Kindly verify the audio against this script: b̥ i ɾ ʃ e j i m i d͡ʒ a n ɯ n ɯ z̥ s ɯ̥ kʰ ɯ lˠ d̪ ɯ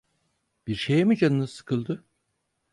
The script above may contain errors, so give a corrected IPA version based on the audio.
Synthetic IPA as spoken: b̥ i ɾ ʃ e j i m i d͡ʒ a n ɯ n ɯ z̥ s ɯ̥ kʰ ɯ lˠ d̪ ɯ